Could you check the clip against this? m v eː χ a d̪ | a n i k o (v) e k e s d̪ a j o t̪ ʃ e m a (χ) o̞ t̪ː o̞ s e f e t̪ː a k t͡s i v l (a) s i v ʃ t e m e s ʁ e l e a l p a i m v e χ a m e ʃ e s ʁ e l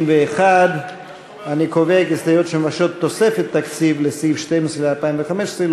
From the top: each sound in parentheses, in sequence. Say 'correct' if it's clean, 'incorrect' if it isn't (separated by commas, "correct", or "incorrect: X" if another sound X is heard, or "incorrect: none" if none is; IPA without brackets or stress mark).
correct, incorrect: ʃ, incorrect: e